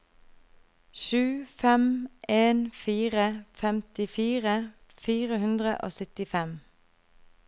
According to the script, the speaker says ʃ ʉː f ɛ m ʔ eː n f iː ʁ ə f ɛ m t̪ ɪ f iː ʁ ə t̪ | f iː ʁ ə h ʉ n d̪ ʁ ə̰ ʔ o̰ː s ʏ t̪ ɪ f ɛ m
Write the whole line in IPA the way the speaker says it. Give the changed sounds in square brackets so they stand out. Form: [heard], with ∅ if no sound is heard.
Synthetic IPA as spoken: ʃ ʉː f ɛ m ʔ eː n f iː ʁ ə f ɛ m t̪ ɪ f iː ʁ ə [∅] | f iː ʁ ə h ʉ n d̪ ʁ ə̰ ʔ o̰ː s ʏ t̪ ɪ f ɛ m

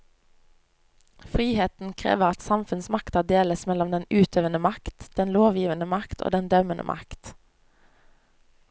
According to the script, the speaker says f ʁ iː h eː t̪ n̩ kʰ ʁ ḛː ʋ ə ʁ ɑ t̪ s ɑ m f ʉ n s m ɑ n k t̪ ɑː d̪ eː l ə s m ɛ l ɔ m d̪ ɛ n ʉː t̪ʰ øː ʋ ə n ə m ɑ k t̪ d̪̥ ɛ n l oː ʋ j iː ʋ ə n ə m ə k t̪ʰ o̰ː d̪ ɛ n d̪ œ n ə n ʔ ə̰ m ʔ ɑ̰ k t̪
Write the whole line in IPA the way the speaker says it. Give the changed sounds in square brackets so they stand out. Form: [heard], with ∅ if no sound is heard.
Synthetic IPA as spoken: f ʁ iː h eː t̪ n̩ kʰ ʁ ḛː ʋ ə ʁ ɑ t̪ s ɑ m f ʉ n s m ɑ [∅] k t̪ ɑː d̪ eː l ə s m ɛ l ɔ m d̪ ɛ n ʉː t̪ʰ øː ʋ ə n ə m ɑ k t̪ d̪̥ ɛ n l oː ʋ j iː ʋ ə n ə m [ɑ] k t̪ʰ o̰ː d̪ ɛ n d̪ œ [m] ə n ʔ ə̰ m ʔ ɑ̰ k t̪

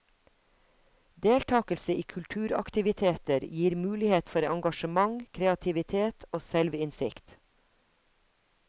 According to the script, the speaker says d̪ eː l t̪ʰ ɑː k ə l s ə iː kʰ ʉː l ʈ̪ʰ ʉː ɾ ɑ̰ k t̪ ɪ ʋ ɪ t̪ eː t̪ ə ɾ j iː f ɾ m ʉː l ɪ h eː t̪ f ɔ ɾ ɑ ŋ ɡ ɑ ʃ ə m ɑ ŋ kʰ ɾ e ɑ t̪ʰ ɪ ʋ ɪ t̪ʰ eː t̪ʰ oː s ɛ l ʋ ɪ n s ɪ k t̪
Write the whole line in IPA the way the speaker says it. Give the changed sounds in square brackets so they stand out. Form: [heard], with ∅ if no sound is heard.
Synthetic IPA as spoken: d̪ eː l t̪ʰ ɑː k ə l s ə iː kʰ [ʉ] l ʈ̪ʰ ʉː ɾ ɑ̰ k t̪ ɪ ʋ ɪ [t̪ʰ] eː t̪ ə ɾ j iː [∅] ɾ m ʉː l ɪ h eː t̪ f ɔ ɾ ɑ ŋ ɡ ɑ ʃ ə m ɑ ŋ kʰ ɾ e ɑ t̪ʰ ɪ ʋ ɪ t̪ʰ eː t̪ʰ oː s ɛ l ʋ ɪ n s ɪ k t̪

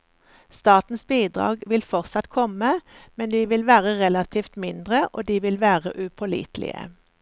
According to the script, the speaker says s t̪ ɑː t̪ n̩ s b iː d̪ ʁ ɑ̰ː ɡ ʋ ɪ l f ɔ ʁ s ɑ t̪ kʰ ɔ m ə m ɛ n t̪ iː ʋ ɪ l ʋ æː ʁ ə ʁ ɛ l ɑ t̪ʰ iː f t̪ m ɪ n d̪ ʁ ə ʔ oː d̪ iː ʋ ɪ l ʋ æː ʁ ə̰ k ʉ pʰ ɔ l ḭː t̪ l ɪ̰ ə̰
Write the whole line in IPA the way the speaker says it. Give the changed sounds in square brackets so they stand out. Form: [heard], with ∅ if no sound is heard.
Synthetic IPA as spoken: s t̪ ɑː t̪ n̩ s b iː d̪ ʁ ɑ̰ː ɡ ʋ ɪ l f ɔ ʁ s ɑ t̪ kʰ ɔ m ə m ɛ n [d̪] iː ʋ ɪ l ʋ æː ʁ ə ʁ ɛ l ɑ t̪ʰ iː f t̪ m ɪ n d̪ ʁ ə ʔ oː d̪ iː ʋ ɪ l ʋ æː ʁ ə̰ [ʔ] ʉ pʰ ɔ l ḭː t̪ l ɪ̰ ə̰

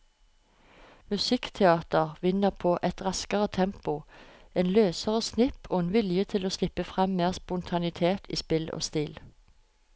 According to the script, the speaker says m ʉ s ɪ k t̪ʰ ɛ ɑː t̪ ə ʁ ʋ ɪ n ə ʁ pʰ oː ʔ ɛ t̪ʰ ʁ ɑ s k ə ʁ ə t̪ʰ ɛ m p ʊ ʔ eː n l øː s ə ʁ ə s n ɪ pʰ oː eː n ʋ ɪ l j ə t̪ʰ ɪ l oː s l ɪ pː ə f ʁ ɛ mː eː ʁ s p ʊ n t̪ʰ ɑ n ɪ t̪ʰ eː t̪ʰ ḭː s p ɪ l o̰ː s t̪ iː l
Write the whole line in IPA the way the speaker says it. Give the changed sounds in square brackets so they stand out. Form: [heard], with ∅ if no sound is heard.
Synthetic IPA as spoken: m ʉ s ɪ k t̪ʰ ɛ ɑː t̪ ə ʁ ʋ ɪ n ə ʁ pʰ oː ʔ ɛ [t̪] ʁ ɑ s k ə ʁ ə t̪ʰ ɛ m p ʊ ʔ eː n l øː s ə ʁ ə s n ɪ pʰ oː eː n ʋ ɪ l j ə t̪ʰ ɪ l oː s l ɪ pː ə f ʁ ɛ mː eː ʁ s p ʊ n t̪ʰ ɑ n ɪ t̪ʰ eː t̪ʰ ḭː s p ɪ l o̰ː s t̪ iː l

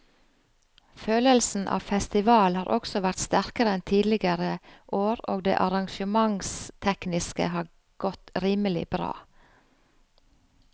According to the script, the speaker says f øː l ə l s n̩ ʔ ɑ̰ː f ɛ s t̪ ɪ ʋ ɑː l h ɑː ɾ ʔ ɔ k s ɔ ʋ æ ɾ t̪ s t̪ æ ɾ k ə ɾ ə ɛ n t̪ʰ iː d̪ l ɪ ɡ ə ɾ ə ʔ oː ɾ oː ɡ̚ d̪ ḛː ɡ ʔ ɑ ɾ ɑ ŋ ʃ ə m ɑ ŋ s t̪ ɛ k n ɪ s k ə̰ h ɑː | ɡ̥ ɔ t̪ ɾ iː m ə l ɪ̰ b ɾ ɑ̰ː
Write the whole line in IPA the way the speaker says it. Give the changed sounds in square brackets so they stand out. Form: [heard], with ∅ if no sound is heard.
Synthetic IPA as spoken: f øː l ə l s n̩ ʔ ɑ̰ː f ɛ s t̪ ɪ ʋ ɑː l h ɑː ɾ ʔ ɔ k s ɔ ʋ æ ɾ t̪ s t̪ æ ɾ k ə ɾ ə ɛ n t̪ʰ iː d̪ l ɪ ɡ ə ɾ ə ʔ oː ɾ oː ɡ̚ d̪ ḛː [∅] ʔ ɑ ɾ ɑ ŋ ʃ ə m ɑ ŋ s [t̪ʰ] ɛ k n ɪ s k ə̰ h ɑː | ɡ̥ ɔ t̪ ɾ iː m ə l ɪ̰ b ɾ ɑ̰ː

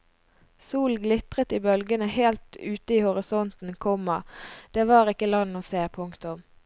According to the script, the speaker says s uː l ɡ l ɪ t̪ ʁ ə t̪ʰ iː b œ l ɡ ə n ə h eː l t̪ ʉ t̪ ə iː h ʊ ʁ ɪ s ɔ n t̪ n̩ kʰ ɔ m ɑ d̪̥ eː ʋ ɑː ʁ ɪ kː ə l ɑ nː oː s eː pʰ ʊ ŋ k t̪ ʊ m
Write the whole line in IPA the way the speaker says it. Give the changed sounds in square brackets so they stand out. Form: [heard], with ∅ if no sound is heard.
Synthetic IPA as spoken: s uː l ɡ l ɪ t̪ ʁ ə [t̪] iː b œ l ɡ ə n ə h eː l t̪ [ʉː] t̪ ə iː h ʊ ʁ ɪ s ɔ n t̪ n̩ kʰ ɔ m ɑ d̪̥ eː ʋ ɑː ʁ ɪ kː ə l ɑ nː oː s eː pʰ ʊ ŋ k t̪ ʊ m

